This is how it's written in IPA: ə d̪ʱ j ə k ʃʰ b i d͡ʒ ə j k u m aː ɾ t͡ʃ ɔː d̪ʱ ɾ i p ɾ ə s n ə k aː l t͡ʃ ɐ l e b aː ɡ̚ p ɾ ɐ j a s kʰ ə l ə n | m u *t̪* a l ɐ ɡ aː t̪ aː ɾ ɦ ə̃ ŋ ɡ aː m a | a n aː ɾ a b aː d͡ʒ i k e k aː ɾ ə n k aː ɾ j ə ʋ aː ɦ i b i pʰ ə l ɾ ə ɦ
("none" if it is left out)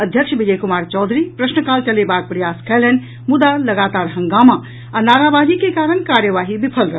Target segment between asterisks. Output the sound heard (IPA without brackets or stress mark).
d̪